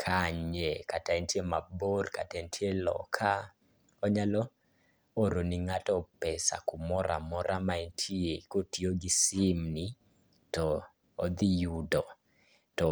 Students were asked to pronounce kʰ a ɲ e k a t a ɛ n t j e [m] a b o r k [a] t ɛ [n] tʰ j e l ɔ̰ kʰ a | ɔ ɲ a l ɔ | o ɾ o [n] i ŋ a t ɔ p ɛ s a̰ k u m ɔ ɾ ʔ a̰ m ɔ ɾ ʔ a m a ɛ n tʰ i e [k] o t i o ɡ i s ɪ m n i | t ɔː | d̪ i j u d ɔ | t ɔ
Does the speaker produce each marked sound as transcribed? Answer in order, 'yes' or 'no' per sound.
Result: yes, yes, yes, yes, yes

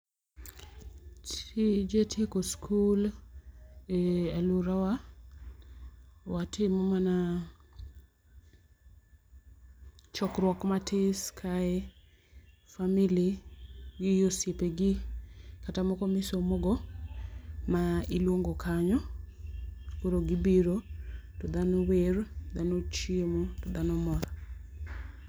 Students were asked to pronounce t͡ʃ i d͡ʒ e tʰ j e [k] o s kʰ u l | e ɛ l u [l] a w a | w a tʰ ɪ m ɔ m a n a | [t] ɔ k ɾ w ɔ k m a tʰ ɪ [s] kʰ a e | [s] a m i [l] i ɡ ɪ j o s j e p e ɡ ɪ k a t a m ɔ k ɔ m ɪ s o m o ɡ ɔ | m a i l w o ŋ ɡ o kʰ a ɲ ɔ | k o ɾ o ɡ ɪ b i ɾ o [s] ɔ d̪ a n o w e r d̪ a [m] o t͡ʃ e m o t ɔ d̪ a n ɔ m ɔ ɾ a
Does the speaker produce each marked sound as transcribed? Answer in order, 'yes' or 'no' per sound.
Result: yes, no, no, yes, no, yes, no, no

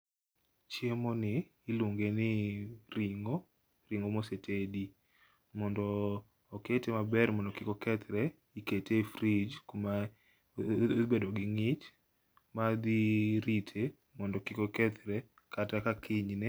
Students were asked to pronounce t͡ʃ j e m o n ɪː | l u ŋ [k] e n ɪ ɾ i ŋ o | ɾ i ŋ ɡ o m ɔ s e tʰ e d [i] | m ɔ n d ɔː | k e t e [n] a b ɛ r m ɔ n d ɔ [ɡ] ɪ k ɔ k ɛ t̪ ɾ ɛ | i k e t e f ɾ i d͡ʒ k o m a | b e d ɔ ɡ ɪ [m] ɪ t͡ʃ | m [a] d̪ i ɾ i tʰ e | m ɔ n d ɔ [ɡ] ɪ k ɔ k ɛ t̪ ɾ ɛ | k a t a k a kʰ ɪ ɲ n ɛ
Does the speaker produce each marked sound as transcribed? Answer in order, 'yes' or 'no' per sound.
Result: no, yes, no, no, no, yes, no

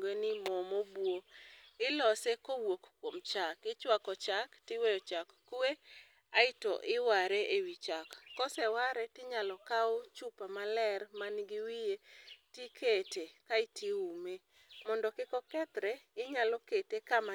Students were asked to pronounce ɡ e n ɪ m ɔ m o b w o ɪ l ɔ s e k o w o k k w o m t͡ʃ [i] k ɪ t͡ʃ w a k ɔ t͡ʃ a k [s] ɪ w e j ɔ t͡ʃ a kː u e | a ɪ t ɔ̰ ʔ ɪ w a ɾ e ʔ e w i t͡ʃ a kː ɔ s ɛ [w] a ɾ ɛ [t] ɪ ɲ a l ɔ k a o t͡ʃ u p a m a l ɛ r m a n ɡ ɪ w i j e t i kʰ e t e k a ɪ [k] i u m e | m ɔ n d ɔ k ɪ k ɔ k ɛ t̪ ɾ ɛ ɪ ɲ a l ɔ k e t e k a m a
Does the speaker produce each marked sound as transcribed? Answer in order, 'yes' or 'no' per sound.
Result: no, no, yes, yes, no

